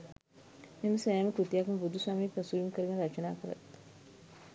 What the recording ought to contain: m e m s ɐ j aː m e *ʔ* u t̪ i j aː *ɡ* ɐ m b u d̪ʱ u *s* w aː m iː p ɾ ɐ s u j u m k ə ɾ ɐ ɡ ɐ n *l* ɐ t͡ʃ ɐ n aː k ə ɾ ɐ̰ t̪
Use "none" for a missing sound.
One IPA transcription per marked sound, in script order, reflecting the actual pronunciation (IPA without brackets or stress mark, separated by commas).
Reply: k, k, s, ɾ